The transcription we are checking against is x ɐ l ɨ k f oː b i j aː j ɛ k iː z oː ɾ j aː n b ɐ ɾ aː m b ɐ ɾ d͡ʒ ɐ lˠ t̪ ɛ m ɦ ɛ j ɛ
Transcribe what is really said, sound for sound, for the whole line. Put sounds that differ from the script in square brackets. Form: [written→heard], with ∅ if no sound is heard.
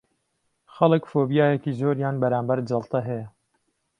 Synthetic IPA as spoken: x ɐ l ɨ k f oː b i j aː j ɛ k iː z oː ɾ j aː n b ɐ ɾ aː m b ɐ ɾ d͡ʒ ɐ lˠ t̪ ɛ [m→∅] ɦ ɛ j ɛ